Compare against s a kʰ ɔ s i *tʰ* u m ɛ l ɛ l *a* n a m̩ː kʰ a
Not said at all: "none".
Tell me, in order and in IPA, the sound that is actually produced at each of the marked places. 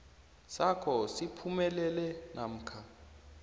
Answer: pʰ, ɛ

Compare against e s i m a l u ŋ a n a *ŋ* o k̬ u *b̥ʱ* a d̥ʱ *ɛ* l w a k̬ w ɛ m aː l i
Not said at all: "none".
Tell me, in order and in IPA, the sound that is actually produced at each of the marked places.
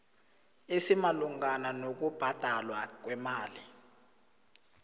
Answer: n, b̥ʱ, a

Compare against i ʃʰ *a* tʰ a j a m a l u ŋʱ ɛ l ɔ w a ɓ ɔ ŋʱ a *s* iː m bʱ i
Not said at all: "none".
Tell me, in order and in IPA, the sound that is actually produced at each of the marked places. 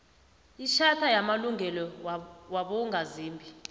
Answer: a, z

